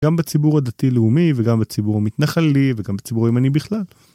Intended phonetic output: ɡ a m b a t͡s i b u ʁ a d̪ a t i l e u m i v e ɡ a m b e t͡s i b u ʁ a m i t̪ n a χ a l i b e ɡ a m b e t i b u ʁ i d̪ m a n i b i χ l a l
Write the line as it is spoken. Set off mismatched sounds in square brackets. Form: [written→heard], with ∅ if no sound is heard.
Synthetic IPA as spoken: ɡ a m b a t͡s i b u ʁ a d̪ a t i l e u m i v e ɡ a m b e t͡s i b u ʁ a m i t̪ n a χ a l i [b→v] e ɡ a m b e [t→t͡s] i b u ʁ i [d̪→∅] m a n i b i χ l a l